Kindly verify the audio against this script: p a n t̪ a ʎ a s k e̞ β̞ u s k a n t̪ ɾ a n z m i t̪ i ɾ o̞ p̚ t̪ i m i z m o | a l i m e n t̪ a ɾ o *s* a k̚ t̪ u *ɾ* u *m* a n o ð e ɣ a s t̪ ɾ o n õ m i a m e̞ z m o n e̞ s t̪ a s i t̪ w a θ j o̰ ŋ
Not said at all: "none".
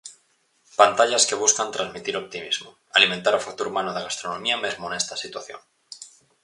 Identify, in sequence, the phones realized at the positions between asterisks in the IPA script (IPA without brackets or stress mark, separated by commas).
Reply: f, ɾ, m